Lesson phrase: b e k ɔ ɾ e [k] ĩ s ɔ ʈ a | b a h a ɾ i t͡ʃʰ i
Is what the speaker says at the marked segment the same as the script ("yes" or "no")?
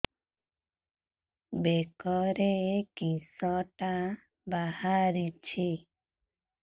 yes